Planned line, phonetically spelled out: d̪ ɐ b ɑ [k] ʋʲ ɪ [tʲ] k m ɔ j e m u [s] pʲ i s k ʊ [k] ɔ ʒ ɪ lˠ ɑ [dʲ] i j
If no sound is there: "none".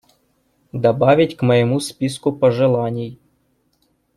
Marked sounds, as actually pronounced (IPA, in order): none, tʲ, s, p, nʲ

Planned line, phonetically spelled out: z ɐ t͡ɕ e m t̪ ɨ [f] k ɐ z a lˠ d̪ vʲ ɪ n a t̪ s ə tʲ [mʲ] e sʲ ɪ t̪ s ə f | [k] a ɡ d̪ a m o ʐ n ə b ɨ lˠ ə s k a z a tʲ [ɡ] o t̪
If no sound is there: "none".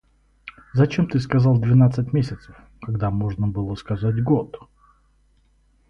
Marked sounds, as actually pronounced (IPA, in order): s, mʲ, k, ɡ

